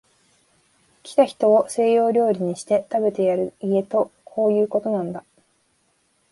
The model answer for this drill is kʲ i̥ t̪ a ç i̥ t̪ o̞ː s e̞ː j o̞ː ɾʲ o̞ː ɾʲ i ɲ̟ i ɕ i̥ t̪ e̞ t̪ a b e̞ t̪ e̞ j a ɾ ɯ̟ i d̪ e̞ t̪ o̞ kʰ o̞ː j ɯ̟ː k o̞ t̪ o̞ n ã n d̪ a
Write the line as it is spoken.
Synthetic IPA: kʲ i̥ t̪ a ç i̥ t̪ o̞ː s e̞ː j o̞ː ɾʲ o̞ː ɾʲ i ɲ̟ i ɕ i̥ t̪ e̞ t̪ a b e̞ t̪ e̞ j a ɾ ɯ̟ i e̞ t̪ o̞ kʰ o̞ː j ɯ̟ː k o̞ t̪ o̞ n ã n d̪ a